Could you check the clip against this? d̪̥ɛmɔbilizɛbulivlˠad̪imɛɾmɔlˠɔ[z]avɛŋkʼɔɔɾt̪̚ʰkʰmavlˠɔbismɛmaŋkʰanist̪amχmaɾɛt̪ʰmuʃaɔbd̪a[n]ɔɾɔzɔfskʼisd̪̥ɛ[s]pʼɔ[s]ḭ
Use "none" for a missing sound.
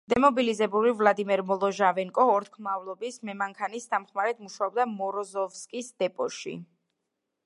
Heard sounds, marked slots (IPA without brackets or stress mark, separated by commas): ʒ, m, none, ʃ